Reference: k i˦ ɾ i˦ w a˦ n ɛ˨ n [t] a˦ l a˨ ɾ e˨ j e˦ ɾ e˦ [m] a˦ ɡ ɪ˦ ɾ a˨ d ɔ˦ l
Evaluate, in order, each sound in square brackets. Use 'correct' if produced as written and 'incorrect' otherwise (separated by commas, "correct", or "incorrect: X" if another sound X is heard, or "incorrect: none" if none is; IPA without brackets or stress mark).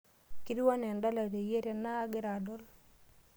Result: incorrect: d, incorrect: n